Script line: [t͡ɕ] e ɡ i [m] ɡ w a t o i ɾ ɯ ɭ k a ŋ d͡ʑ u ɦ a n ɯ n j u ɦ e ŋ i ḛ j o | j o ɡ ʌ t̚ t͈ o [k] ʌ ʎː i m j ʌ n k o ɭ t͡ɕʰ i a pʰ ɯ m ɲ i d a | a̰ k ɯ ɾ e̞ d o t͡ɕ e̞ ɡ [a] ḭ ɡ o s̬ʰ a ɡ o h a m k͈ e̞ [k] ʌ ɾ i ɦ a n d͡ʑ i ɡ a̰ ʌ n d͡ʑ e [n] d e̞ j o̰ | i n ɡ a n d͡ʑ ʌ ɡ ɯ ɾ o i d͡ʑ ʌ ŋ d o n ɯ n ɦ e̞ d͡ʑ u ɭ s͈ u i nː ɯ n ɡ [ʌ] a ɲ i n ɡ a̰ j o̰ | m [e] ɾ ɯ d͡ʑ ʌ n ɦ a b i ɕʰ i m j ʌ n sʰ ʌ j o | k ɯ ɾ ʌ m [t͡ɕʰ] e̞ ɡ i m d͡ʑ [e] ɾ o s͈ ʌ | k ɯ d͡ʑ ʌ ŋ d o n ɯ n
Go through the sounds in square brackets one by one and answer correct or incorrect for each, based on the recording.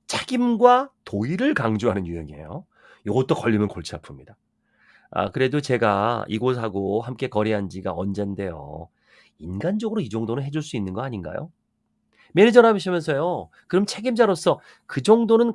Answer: incorrect: t͡ɕʰ, correct, correct, correct, correct, correct, correct, correct, correct, incorrect: a

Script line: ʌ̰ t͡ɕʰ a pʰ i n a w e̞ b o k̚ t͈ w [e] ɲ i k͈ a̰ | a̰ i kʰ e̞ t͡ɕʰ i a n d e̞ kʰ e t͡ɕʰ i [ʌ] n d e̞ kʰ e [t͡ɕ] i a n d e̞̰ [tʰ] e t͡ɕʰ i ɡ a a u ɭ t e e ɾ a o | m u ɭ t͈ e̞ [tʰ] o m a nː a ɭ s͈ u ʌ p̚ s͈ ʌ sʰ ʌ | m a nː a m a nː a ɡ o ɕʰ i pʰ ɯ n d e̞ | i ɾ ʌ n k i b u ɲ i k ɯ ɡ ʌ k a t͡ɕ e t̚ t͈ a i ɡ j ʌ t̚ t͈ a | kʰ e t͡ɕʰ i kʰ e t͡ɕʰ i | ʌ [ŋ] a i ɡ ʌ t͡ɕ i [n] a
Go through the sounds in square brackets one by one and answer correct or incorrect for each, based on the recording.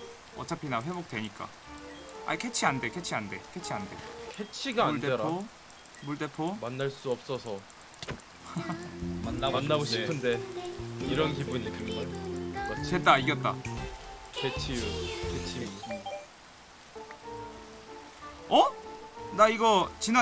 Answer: correct, incorrect: a, incorrect: t͡ɕʰ, incorrect: kʰ, incorrect: pʰ, incorrect: n, correct

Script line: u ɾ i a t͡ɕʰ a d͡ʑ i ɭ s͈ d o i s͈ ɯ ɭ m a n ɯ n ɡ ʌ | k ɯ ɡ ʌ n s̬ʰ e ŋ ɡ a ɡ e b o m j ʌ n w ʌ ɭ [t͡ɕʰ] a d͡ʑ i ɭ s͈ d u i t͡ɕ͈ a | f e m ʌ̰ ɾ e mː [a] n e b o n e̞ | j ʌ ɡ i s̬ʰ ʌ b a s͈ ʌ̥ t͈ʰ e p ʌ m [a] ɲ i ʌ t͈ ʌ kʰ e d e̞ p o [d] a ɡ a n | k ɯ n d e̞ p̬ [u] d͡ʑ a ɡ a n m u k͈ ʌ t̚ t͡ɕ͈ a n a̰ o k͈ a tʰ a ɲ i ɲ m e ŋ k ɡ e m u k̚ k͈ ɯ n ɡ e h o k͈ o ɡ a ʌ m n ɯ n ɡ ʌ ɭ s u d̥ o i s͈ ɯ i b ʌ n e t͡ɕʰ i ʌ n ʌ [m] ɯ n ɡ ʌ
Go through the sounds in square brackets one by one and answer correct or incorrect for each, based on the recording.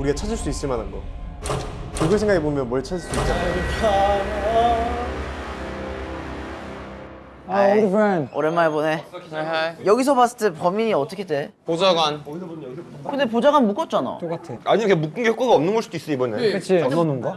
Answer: correct, correct, incorrect: i, incorrect: d͡ʑ, incorrect: o, incorrect: n

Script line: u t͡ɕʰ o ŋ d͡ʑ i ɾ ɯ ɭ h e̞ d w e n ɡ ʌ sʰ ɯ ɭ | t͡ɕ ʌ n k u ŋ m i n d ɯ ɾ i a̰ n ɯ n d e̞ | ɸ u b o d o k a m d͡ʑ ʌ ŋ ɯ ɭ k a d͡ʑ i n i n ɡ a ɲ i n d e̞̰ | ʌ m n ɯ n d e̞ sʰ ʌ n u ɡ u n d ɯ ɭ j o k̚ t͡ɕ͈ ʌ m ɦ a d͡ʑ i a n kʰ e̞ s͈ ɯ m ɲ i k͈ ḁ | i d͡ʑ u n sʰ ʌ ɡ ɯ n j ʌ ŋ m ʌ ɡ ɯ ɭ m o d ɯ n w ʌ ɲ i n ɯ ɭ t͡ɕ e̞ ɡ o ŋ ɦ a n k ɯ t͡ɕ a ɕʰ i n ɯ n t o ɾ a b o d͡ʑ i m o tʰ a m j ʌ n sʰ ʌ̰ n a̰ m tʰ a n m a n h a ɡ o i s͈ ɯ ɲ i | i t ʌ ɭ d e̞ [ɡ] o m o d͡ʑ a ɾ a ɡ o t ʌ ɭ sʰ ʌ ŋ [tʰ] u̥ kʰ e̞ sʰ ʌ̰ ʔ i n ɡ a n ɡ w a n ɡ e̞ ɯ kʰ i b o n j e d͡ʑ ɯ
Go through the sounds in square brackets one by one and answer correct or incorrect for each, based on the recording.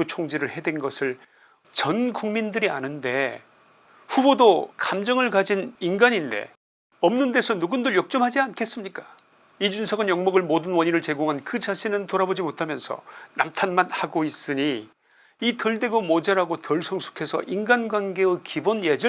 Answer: correct, incorrect: sʰ

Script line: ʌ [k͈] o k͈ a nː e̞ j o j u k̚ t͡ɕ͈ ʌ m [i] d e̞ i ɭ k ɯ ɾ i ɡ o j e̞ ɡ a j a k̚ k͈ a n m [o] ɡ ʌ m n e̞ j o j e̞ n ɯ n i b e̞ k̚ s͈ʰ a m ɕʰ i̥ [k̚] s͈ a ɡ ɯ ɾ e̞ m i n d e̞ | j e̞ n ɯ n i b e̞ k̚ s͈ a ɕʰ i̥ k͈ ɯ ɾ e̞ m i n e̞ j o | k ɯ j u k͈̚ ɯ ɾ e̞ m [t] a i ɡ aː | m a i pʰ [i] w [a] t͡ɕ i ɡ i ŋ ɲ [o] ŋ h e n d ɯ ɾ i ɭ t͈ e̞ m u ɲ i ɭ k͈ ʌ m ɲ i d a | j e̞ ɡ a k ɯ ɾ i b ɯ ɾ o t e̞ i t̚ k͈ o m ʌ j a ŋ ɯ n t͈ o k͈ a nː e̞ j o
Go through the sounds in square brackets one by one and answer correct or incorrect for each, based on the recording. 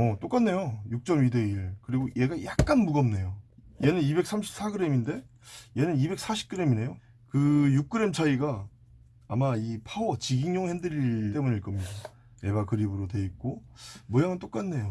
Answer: incorrect: t͈, correct, incorrect: u, incorrect: p̚, incorrect: t͡ɕʰ, incorrect: a, incorrect: ʌ, correct

